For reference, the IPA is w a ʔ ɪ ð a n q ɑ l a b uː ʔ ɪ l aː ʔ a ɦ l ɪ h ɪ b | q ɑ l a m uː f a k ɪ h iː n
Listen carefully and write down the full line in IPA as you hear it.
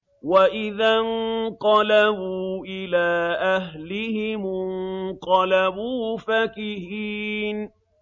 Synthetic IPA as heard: w a ʔ ɪ ð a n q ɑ l a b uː ʔ ɪ l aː ʔ a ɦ l ɪ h ɪ m | q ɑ l a b uː f a k ɪ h iː n